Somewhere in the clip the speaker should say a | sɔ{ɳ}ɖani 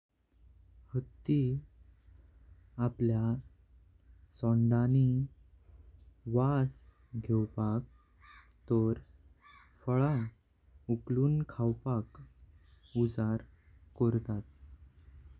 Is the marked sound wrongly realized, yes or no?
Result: no